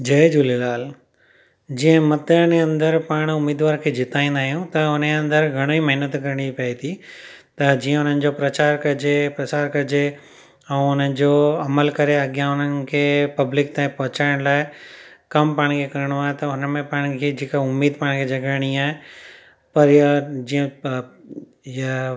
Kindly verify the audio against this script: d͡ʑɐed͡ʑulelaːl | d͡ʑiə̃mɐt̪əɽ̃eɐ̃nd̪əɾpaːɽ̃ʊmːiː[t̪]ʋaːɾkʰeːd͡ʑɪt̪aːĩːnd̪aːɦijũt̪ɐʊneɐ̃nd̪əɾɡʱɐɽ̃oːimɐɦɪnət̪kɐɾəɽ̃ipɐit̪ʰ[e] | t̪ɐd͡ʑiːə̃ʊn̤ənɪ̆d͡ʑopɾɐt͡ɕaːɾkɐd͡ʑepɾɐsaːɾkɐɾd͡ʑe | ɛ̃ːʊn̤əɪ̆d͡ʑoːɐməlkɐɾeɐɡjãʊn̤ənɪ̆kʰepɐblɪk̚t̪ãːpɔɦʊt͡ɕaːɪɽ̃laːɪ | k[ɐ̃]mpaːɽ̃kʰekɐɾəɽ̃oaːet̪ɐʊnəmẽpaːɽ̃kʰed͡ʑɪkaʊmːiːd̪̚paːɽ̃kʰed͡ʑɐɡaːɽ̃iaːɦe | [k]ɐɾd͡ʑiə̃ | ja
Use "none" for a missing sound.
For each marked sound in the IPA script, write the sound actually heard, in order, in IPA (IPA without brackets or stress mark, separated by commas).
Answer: d̪, i, ɐ, p